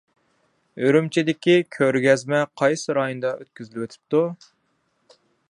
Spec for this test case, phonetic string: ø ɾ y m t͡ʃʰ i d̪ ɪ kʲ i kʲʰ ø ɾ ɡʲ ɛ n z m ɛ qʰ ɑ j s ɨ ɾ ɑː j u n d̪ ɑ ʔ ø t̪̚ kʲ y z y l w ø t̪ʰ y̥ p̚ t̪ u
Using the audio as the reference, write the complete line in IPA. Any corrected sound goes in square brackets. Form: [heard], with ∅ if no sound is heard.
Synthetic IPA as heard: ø ɾ y m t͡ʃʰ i d̪ ɪ kʲ i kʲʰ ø ɾ ɡʲ ɛ [∅] z m ɛ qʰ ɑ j s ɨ ɾ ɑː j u n d̪ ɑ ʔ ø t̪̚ kʲ y z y l w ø t̪ʰ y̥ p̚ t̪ u